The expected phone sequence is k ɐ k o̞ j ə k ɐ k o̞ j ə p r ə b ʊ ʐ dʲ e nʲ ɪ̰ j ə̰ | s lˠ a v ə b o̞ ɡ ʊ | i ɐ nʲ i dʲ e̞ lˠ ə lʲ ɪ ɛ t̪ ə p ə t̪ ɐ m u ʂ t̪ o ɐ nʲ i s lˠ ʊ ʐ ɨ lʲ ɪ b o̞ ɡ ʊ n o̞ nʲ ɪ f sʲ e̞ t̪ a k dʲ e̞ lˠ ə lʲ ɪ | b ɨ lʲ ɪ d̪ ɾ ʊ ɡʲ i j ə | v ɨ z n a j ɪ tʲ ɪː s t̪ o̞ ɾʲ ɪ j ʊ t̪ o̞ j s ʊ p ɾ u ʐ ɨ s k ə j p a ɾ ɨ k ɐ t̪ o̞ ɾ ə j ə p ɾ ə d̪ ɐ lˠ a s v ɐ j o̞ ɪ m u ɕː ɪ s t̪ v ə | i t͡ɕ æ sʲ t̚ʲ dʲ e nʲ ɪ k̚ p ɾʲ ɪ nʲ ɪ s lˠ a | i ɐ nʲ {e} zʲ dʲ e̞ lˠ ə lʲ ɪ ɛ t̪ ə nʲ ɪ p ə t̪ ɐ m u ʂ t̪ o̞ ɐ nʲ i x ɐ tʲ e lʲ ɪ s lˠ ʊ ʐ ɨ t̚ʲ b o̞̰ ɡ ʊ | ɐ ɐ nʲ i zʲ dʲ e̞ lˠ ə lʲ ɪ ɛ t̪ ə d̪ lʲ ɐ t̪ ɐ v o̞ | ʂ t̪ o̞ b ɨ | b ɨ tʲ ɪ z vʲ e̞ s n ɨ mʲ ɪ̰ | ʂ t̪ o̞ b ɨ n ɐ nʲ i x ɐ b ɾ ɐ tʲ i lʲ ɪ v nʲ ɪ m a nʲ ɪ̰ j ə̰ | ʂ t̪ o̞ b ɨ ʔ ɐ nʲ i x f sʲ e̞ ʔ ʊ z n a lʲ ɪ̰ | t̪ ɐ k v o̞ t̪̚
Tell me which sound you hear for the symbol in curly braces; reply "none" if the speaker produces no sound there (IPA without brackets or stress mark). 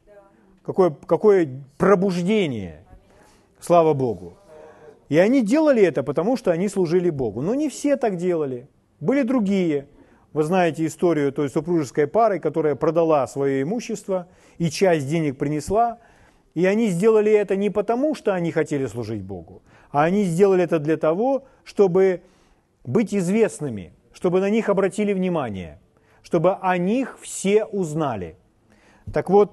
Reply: i